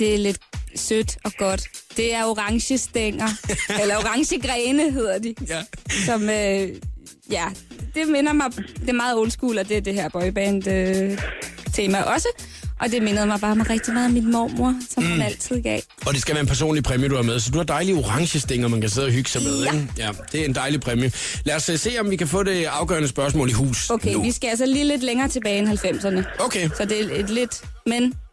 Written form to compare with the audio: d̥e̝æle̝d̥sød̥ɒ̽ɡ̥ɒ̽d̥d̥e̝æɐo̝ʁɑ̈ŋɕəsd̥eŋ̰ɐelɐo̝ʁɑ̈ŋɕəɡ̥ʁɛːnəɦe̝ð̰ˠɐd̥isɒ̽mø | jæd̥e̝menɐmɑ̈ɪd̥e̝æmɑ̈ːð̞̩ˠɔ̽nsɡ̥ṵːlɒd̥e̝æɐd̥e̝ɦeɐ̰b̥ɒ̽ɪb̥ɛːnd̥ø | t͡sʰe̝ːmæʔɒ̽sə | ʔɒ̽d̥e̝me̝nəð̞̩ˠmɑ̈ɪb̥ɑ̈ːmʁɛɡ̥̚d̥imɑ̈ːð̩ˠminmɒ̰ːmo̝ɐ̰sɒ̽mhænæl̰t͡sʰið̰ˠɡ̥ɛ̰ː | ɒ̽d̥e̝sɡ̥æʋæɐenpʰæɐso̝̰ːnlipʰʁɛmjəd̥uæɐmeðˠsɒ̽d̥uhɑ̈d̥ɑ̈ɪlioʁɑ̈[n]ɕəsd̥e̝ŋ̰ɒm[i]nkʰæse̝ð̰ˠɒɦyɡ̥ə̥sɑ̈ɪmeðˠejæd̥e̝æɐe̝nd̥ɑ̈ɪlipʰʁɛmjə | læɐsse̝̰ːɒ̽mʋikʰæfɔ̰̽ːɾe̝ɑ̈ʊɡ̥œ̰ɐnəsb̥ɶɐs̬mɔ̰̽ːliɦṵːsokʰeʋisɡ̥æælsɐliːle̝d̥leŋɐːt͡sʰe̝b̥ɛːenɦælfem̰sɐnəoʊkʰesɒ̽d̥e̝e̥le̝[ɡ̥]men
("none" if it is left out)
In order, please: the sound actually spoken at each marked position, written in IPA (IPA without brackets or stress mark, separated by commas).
ŋ, æ, d̥